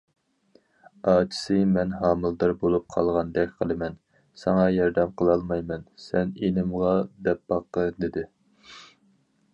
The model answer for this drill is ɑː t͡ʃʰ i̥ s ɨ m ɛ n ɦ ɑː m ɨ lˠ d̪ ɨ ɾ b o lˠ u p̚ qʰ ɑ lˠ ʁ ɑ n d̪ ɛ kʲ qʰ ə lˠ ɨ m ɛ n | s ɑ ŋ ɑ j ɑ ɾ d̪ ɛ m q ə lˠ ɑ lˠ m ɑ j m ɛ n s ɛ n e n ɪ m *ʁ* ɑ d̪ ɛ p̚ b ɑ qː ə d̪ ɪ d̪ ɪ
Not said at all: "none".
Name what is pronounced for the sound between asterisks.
ʁ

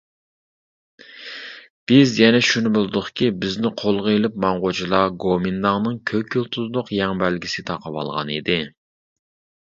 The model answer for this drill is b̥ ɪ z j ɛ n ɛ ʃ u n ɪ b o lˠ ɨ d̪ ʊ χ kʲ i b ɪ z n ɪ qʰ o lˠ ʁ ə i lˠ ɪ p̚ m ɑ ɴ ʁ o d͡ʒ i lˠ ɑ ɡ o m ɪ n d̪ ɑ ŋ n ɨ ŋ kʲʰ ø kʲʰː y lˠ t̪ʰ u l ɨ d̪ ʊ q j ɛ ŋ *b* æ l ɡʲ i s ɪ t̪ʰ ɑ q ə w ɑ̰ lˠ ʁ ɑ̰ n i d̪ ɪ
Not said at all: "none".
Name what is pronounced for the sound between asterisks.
b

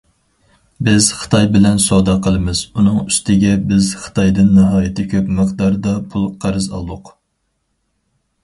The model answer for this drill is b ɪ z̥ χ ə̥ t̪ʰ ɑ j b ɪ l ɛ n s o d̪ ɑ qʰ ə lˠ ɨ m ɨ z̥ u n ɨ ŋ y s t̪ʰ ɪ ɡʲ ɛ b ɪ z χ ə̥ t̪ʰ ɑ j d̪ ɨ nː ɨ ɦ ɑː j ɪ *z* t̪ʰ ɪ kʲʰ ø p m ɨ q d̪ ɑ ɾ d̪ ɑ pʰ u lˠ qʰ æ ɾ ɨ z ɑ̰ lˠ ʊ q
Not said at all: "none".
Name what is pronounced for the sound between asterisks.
none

